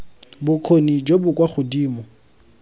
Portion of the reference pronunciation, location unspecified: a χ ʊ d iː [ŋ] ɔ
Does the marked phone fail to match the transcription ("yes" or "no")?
yes